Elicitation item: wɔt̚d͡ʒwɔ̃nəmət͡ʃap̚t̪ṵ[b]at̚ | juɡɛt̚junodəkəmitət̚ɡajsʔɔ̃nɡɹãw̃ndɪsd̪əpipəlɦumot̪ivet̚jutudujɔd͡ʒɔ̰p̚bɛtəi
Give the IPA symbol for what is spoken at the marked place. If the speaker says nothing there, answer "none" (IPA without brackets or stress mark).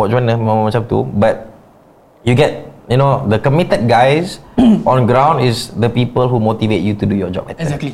b